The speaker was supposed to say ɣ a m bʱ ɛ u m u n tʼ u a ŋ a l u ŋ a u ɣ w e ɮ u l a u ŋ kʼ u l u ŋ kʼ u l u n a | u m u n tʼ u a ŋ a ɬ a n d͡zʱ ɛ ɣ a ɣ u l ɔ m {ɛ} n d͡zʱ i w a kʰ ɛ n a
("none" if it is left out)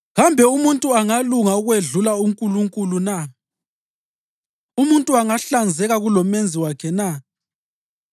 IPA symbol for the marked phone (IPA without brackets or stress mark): e